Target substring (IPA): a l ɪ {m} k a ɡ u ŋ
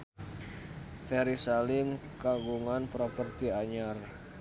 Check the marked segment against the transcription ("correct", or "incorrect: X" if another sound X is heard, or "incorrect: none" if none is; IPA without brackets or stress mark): correct